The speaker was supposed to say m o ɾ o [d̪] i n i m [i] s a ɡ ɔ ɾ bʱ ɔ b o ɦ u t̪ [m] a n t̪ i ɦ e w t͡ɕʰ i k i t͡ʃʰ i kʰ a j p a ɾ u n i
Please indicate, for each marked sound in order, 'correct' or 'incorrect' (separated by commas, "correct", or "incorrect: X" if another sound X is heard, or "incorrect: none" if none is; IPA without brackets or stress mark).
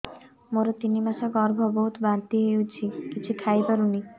incorrect: t̪, incorrect: a, incorrect: b